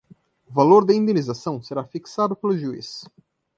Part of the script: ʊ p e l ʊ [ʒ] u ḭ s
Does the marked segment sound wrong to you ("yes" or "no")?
no